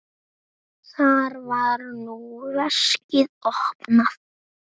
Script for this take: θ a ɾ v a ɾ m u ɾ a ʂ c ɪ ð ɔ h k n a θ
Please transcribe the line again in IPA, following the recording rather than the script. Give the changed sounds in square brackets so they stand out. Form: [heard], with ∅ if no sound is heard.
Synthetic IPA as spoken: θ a ɾ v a ɾ [n] u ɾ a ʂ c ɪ ð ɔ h [p] n a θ